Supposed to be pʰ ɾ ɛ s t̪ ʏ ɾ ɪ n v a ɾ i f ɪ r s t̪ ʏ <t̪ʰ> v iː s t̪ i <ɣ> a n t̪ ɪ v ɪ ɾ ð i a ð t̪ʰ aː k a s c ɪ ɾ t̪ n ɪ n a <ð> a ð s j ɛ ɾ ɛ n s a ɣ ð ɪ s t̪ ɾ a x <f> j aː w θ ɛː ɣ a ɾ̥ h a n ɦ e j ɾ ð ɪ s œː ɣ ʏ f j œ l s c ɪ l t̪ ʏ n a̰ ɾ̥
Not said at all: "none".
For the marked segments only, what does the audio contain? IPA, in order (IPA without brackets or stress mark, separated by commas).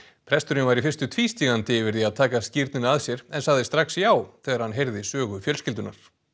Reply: t̪ʰ, ɣ, none, s